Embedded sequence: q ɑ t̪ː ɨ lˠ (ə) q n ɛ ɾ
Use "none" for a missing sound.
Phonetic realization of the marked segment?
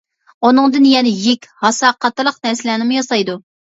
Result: ə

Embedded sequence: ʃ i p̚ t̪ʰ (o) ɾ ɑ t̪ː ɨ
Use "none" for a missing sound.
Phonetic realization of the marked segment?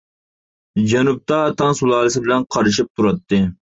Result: u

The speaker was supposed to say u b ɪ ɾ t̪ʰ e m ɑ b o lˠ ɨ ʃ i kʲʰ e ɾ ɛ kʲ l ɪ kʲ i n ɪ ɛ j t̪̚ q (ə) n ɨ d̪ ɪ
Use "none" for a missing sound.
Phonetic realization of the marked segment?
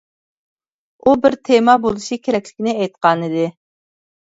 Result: ɑ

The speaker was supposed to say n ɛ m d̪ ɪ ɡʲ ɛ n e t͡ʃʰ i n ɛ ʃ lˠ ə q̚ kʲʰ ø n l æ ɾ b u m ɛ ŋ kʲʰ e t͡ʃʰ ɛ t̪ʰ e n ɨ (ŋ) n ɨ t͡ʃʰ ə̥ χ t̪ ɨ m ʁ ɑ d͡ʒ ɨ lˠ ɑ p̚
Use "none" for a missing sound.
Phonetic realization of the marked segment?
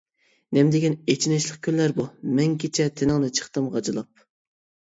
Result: ŋ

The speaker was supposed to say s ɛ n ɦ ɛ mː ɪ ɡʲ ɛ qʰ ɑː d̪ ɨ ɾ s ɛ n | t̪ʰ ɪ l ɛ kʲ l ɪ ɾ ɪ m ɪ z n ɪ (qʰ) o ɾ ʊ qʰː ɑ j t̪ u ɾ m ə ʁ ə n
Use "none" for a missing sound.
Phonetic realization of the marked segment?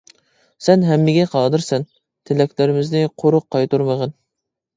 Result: qʰ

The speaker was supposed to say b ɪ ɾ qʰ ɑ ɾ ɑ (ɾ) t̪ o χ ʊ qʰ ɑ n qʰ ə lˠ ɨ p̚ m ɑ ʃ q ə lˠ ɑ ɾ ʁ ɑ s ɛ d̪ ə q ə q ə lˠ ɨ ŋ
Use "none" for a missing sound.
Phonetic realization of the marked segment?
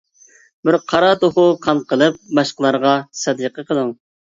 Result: none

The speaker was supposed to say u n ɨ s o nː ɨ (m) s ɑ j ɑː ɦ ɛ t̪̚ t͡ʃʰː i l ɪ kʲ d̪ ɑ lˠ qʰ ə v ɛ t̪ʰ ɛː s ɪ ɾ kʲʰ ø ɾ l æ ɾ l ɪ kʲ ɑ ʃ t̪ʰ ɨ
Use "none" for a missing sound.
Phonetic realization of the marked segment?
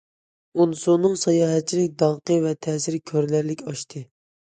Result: ŋ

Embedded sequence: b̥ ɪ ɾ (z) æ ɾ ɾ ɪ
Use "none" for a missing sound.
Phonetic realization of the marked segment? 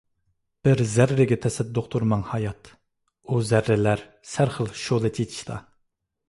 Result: z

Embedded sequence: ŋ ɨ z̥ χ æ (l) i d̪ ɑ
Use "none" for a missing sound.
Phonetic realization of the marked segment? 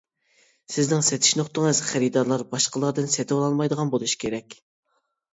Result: ɾ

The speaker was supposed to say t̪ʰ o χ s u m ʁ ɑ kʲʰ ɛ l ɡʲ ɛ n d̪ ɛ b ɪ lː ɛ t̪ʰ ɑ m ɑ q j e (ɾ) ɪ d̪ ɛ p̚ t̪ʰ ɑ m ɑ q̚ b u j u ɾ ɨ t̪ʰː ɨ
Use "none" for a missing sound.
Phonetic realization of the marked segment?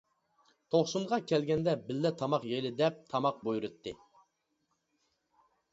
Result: l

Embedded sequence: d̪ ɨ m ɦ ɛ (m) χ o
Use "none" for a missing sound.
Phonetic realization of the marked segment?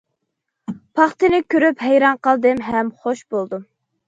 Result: m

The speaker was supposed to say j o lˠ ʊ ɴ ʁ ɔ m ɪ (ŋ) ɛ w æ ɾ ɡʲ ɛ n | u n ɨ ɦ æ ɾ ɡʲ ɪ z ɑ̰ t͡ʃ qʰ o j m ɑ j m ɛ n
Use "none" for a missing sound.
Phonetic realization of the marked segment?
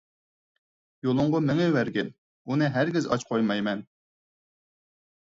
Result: ŋ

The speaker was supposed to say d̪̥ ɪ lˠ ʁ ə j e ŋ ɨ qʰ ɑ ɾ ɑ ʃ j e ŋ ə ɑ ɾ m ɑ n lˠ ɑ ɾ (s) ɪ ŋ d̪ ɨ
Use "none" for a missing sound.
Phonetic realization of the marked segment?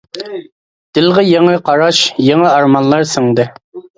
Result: s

